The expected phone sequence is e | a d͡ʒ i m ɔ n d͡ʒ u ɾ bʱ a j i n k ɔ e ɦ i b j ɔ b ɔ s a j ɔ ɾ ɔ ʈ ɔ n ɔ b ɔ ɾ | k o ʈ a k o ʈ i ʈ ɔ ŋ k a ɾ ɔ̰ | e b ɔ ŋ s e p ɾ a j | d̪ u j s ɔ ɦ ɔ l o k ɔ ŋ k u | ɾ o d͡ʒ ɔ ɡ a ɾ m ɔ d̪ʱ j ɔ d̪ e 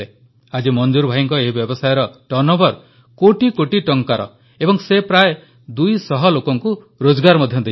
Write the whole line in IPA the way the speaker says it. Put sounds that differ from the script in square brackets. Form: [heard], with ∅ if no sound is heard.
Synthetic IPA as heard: e | a d͡ʒ i m ɔ n d͡ʒ u ɾ bʱ a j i [ŋ] k ɔ e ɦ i b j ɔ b ɔ s a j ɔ ɾ ɔ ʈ ɔ n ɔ b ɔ ɾ | k o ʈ [i] k o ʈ i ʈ ɔ ŋ k a ɾ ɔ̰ | e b ɔ ŋ s e p ɾ a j | d̪ u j s ɔ ɦ ɔ l o k ɔ ŋ k u | ɾ o d͡ʒ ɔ ɡ a ɾ m ɔ d̪ʱ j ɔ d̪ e